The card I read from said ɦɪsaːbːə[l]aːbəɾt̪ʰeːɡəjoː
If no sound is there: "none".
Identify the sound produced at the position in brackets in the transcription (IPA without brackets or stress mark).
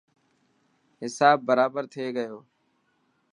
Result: ɾ